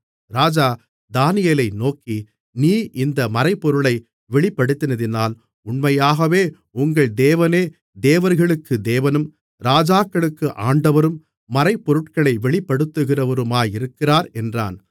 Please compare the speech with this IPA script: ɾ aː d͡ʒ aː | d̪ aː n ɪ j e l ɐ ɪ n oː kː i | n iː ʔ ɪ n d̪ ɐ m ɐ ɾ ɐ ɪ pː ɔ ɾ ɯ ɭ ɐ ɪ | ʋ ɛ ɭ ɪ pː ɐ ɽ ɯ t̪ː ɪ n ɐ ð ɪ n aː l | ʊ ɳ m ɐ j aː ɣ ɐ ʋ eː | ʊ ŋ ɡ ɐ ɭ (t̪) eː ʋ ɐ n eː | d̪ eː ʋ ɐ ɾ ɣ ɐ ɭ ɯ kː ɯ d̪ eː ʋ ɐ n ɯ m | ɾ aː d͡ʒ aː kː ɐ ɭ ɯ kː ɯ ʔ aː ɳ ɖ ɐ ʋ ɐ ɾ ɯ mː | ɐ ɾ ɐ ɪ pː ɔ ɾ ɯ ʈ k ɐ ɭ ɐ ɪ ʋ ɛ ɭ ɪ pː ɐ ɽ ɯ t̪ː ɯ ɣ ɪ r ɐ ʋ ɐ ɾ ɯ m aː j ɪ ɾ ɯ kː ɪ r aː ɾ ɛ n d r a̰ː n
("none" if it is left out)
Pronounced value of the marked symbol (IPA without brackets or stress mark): d̪